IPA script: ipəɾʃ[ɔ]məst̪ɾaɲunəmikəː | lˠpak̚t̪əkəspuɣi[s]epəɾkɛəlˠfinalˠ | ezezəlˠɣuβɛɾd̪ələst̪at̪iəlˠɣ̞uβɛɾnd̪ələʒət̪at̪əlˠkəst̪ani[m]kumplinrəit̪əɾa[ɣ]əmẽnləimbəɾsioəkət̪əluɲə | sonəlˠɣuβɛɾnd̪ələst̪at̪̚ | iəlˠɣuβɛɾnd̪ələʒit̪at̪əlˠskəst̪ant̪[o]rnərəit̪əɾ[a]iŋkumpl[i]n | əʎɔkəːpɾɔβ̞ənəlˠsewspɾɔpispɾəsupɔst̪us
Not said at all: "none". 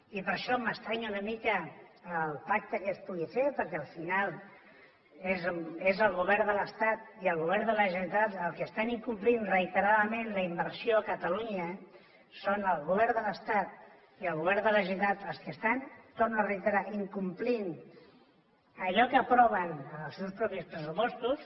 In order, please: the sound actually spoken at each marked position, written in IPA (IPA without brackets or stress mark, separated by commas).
ɔ, f, ŋ, ð, o, a, i